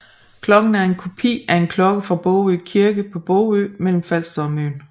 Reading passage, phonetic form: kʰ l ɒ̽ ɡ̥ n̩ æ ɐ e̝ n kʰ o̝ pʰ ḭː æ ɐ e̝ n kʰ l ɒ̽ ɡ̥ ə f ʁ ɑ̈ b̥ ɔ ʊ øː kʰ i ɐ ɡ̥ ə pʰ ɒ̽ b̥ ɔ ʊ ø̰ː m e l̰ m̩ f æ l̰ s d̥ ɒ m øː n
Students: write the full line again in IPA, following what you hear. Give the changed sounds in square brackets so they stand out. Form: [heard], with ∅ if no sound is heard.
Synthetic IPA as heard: kʰ l ɒ̽ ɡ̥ n̩ æ ɐ e̝ n kʰ o̝ pʰ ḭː æ ɐ e̝ n kʰ l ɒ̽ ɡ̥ ə f ʁ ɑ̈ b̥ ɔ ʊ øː kʰ i ɐ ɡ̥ ə pʰ ɒ̽ b̥ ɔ ʊ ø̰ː m e l̰ m̩ f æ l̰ s d̥ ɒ m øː n